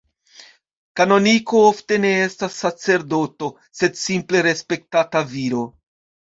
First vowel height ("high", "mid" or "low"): low